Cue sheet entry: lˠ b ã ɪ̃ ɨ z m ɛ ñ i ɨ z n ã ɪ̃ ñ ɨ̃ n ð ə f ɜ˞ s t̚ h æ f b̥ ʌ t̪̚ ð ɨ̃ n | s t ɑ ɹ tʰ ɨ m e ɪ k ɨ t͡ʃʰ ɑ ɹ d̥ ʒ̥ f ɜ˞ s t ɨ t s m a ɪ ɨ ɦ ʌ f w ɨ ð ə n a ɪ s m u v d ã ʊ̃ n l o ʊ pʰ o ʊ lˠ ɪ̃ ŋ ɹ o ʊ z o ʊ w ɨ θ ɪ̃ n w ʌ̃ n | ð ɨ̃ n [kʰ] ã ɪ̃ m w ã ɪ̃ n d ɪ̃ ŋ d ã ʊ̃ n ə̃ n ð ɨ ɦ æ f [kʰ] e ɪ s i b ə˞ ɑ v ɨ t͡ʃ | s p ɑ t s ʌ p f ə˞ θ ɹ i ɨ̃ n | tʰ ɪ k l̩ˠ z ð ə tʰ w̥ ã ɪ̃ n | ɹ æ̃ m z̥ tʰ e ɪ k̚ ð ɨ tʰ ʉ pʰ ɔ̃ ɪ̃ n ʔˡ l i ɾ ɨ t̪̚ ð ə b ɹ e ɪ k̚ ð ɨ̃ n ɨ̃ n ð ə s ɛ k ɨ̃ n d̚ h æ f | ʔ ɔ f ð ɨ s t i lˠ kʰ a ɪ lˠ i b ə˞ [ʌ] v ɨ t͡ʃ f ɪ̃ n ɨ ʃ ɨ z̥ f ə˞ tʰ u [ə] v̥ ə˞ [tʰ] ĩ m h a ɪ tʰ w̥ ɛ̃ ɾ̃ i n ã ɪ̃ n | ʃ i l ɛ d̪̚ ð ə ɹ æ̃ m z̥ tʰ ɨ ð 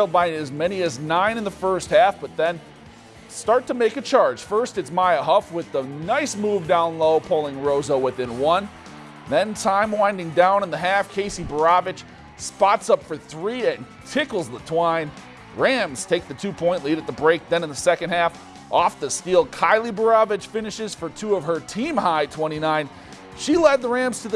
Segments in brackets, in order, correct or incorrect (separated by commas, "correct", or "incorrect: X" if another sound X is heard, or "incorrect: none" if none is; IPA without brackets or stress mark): incorrect: tʰ, correct, incorrect: ɑ, incorrect: ʌ, correct